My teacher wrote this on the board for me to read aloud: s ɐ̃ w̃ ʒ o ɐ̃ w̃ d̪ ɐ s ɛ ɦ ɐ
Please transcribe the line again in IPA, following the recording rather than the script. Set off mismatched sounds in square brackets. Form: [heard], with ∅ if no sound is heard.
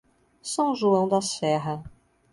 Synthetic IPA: s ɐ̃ w̃ ʒ [u] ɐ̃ w̃ d̪ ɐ s ɛ ɦ ɐ

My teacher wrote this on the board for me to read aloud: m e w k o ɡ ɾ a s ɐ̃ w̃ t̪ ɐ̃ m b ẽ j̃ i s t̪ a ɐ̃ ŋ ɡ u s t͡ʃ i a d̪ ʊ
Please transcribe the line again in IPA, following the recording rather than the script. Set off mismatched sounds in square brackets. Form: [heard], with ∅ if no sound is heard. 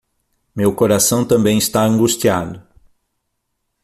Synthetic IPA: m e w k o [∅] ɾ a s ɐ̃ w̃ t̪ ɐ̃ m b ẽ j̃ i s t̪ a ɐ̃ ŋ ɡ u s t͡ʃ i a d̪ ʊ

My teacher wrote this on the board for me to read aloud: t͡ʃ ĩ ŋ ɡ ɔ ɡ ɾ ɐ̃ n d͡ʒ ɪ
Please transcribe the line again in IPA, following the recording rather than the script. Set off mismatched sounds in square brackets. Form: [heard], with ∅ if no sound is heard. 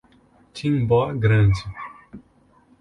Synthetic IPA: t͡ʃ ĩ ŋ [b] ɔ ɡ ɾ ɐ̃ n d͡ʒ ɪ

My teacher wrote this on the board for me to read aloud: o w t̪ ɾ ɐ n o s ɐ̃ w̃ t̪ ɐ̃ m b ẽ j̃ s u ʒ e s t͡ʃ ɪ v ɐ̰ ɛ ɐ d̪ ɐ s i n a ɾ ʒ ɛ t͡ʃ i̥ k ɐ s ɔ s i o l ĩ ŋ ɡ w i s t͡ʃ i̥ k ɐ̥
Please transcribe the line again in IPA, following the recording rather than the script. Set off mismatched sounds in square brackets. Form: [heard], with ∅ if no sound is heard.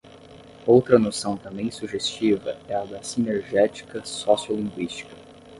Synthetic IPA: o w t̪ ɾ ɐ n o s ɐ̃ w̃ t̪ ɐ̃ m b ẽ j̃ s u ʒ e s t͡ʃ [i] v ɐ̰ ɛ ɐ d̪ ɐ s i n [e] ɾ ʒ ɛ t͡ʃ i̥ k ɐ s ɔ s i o l ĩ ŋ ɡ w i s t͡ʃ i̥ k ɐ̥

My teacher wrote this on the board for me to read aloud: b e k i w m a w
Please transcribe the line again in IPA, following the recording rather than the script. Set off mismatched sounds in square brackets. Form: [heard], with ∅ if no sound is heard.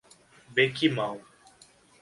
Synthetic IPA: b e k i [∅] m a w

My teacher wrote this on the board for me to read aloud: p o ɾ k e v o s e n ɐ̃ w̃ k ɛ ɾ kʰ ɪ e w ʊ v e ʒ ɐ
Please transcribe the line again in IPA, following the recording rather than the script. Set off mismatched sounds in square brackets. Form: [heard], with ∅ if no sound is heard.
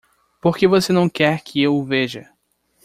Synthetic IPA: p o ɾ k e v o s e n ɐ̃ w̃ k ɛ ɾ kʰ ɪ e w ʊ v e ʒ ɐ

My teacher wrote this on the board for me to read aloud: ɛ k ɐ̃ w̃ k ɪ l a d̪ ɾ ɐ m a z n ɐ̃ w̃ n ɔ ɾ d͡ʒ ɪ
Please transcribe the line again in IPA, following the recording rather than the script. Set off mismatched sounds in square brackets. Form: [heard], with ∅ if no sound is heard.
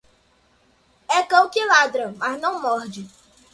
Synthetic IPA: ɛ k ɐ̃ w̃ k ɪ l a d̪ ɾ ɐ m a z n ɐ̃ w̃ [m] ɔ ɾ d͡ʒ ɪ

